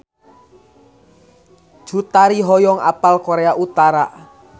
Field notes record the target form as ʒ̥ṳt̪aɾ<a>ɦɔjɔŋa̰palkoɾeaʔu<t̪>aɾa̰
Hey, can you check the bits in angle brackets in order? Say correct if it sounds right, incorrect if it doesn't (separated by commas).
incorrect, correct